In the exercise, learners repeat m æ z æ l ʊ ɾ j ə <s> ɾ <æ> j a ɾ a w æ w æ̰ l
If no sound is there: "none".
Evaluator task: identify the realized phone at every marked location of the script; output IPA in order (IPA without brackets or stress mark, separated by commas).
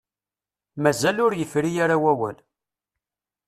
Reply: f, i